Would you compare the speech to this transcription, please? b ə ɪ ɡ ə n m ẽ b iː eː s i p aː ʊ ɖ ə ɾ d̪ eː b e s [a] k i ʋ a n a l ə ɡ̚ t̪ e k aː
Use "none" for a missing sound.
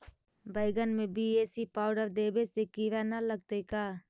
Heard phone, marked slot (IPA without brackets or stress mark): e